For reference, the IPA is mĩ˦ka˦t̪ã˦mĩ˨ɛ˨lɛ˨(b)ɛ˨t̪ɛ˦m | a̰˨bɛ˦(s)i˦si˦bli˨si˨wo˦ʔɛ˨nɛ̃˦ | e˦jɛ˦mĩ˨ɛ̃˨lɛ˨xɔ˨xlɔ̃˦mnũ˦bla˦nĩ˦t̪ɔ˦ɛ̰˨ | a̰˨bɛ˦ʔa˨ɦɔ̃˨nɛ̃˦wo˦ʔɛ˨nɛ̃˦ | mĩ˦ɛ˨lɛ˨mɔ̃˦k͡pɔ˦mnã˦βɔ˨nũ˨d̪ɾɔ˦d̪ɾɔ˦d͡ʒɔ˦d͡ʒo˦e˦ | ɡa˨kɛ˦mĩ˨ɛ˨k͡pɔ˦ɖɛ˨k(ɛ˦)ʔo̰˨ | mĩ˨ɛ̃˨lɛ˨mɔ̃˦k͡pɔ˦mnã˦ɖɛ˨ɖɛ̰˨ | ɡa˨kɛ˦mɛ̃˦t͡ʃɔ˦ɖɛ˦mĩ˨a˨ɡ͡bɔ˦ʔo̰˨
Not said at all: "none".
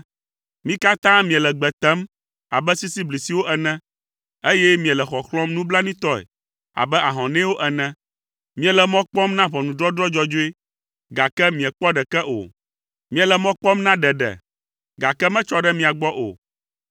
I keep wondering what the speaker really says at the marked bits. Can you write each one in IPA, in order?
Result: ɡ͡b, s, ɛ˦

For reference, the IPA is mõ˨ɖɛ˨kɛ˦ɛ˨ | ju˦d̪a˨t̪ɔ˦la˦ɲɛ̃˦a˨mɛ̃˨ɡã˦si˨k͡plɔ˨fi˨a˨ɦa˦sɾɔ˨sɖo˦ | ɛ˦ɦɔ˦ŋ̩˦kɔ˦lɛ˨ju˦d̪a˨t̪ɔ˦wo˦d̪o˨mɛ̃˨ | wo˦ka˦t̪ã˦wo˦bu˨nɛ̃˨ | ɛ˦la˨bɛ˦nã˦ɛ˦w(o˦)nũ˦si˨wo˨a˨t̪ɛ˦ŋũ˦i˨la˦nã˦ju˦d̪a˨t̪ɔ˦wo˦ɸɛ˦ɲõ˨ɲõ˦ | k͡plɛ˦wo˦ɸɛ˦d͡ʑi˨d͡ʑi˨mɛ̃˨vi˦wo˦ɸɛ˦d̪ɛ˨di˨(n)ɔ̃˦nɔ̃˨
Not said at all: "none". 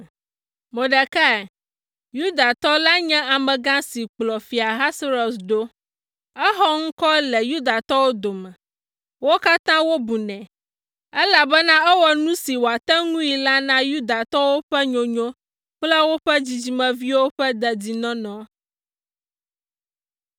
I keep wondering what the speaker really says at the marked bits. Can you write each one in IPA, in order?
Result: ɔ˦, n

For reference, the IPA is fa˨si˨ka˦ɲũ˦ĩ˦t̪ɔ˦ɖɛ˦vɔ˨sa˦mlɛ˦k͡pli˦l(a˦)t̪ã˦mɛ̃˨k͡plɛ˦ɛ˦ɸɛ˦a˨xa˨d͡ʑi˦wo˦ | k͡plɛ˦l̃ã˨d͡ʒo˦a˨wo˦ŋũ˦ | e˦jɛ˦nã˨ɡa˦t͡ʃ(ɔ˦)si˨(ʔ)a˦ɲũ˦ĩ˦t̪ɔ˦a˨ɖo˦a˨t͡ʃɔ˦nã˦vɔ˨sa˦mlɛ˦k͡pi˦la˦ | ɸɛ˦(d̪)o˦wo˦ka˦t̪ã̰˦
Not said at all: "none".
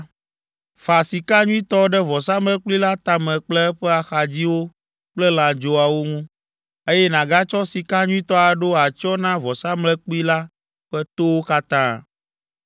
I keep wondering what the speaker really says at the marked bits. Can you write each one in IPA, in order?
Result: a˦, ɔ˦, k, t̪

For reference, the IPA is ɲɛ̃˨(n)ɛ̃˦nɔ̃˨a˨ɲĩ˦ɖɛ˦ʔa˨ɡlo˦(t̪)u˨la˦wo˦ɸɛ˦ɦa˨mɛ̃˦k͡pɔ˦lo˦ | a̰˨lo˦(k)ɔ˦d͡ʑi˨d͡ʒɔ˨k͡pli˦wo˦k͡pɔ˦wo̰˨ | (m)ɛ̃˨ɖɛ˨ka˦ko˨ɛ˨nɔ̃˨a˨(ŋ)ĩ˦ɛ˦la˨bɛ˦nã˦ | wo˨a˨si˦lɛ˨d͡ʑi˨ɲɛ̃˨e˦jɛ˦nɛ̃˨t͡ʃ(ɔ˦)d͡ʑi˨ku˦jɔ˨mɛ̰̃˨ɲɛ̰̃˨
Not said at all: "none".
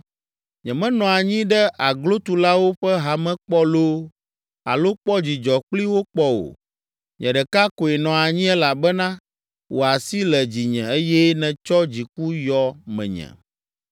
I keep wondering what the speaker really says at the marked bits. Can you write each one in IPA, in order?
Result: m, t̪, k͡p, ɲ, ɲ, ɔ˦

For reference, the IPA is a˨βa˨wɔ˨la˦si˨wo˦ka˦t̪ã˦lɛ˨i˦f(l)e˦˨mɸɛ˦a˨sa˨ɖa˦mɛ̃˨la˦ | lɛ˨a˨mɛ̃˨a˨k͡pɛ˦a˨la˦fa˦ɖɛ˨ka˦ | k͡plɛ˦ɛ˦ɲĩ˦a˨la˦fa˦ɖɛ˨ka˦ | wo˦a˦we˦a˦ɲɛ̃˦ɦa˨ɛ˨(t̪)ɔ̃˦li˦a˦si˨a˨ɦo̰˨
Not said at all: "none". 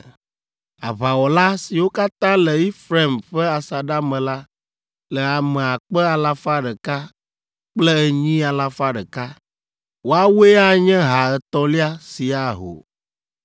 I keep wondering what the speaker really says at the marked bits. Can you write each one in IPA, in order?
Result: ɾ, t̪

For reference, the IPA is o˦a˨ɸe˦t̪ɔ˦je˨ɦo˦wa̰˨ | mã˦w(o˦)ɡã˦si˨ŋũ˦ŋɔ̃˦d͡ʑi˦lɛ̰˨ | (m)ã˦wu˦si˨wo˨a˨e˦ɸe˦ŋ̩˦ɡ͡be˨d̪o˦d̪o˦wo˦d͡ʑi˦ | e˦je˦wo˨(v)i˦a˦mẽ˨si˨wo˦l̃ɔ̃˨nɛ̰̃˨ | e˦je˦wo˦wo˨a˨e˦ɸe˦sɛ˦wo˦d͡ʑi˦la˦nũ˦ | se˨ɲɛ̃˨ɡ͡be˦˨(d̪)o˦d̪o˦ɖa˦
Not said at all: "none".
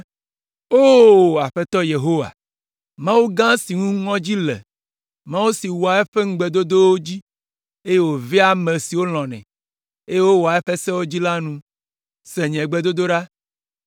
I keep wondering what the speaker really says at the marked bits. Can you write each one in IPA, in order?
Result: u˦, m, v, d̪

